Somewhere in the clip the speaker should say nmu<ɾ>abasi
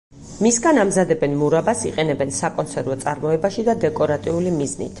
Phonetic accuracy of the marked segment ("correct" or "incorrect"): correct